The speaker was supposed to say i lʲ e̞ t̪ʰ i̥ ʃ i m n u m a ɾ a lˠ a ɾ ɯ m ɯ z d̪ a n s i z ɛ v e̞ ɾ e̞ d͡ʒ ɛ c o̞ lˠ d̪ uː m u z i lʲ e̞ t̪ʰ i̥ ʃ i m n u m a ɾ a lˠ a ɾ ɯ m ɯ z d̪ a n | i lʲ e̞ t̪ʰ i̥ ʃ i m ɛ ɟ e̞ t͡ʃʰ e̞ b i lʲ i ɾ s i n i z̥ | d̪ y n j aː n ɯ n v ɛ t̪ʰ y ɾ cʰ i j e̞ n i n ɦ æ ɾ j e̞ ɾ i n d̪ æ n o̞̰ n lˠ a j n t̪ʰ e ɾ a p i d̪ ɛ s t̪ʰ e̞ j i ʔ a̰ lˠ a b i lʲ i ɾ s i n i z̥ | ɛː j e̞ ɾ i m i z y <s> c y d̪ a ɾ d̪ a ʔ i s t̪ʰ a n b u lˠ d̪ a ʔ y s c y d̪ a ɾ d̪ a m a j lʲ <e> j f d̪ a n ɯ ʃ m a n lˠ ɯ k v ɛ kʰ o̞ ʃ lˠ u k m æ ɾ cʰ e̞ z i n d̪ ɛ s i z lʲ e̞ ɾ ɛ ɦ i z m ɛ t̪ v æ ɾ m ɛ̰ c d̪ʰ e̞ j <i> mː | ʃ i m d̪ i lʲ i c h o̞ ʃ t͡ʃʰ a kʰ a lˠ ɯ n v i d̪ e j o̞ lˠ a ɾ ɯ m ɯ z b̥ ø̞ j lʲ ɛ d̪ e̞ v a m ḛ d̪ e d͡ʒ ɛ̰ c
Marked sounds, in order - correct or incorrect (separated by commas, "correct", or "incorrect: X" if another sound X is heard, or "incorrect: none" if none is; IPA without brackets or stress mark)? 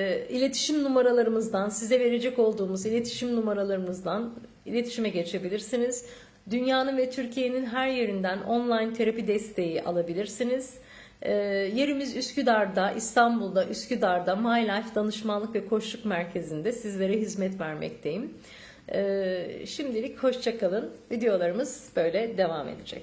correct, incorrect: a, correct